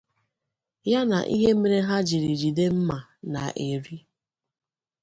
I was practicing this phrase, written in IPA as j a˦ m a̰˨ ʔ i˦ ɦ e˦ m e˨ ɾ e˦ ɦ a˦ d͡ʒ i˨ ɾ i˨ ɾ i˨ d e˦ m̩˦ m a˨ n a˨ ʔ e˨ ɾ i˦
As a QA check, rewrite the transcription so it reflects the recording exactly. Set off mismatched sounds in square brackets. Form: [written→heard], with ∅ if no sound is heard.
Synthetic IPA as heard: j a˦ [m→n] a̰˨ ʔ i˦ ɦ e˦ m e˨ ɾ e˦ ɦ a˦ d͡ʒ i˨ ɾ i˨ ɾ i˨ d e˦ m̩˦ m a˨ n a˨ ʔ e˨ ɾ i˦